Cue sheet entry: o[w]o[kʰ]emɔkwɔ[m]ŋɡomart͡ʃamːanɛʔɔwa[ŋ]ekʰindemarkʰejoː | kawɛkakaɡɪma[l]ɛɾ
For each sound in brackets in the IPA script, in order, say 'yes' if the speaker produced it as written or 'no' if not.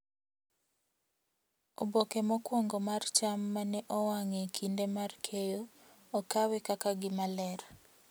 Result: no, no, no, yes, yes

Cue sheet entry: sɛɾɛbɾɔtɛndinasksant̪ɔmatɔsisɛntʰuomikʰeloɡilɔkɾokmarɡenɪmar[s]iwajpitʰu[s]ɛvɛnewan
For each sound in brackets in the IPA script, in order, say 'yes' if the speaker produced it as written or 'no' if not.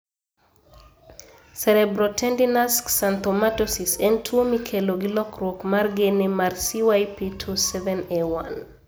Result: yes, yes

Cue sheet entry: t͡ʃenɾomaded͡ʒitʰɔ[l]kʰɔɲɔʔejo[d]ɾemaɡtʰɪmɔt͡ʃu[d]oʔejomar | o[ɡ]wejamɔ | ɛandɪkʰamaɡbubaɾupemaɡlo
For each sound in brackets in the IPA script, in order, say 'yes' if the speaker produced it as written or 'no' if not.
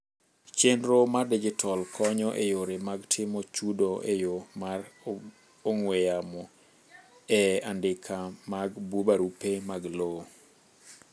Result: yes, no, yes, no

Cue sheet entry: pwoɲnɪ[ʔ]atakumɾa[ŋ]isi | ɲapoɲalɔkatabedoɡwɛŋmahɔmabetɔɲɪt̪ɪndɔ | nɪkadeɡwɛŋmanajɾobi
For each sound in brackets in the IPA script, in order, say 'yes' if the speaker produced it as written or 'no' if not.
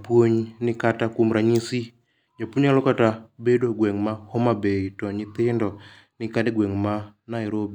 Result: no, no

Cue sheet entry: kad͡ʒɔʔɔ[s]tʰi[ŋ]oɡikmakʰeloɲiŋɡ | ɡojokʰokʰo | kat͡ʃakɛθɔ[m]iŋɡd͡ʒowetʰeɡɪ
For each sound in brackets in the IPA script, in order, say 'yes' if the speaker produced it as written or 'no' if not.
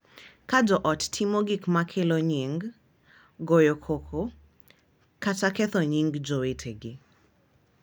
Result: no, no, no

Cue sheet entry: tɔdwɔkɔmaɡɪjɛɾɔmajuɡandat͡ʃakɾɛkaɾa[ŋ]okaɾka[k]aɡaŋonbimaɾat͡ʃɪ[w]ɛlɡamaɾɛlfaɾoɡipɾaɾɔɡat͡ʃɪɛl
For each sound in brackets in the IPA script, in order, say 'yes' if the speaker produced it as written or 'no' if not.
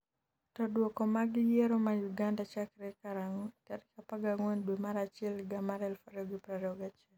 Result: yes, no, no

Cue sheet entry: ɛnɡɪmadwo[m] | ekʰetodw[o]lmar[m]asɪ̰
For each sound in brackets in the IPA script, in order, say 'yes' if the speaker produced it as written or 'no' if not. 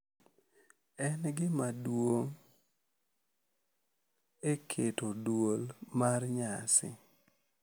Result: no, yes, no

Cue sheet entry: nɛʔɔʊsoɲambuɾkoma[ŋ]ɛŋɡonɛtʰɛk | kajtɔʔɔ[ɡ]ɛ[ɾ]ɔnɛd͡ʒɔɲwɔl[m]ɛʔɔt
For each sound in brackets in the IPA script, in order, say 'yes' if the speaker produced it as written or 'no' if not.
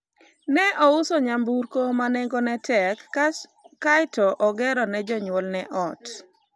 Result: no, yes, yes, no

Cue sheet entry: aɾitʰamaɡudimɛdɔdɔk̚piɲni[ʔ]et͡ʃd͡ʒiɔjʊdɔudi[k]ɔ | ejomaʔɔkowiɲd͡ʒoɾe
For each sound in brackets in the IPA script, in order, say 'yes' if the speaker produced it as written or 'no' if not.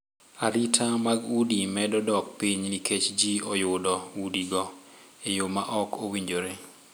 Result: no, no

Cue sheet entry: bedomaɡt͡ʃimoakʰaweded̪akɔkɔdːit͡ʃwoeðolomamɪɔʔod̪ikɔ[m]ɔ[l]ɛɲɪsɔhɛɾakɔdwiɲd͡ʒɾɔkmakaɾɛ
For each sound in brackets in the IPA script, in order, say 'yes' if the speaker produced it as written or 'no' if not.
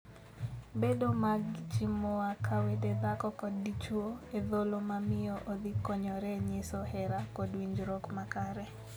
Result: no, no

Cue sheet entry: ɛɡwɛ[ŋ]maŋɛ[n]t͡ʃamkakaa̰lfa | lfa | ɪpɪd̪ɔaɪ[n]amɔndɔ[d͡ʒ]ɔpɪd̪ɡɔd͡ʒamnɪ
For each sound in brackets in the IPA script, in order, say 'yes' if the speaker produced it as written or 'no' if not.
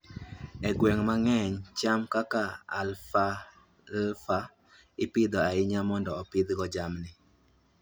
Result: yes, no, no, no

